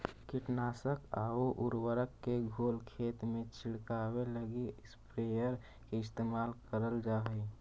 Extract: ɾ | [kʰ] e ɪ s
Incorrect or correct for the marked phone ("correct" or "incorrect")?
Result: incorrect